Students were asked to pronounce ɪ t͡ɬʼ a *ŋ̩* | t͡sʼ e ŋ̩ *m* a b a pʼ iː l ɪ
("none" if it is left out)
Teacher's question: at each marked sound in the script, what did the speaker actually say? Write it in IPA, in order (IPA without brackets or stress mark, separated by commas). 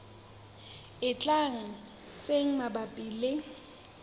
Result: ŋ̩, m